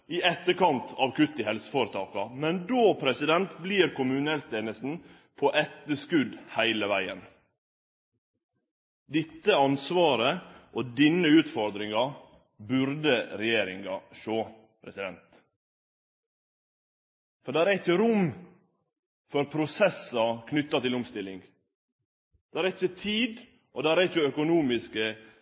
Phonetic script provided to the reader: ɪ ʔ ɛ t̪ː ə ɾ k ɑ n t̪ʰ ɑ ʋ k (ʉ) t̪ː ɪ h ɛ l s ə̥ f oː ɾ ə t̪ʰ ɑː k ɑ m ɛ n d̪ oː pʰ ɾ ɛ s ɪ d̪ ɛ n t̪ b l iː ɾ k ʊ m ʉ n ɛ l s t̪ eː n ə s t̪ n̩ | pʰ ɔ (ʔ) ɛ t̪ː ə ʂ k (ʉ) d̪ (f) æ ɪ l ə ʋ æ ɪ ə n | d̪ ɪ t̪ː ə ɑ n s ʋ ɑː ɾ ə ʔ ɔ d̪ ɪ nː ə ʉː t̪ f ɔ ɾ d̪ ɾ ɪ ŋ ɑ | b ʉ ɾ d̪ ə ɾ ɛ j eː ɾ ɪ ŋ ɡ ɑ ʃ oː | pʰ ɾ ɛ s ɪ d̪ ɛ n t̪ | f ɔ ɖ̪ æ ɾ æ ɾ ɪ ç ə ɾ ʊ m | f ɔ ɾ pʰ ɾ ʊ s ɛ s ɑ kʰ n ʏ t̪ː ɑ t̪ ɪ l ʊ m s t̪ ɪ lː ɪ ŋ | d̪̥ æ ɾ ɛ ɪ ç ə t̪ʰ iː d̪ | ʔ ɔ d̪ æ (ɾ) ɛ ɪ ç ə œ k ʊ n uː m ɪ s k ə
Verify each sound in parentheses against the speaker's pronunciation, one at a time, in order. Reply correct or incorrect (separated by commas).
correct, correct, correct, incorrect, correct